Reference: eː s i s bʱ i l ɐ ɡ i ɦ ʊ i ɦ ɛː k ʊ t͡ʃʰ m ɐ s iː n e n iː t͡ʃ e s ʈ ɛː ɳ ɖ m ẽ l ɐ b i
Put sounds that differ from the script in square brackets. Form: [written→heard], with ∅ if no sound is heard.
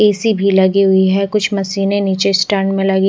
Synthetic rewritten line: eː s i [s→∅] bʱ i l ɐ ɡ i ɦ ʊ i ɦ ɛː k ʊ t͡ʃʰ m ɐ s iː n e n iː t͡ʃ e s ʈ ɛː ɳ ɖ m ẽ l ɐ [b→ɡ] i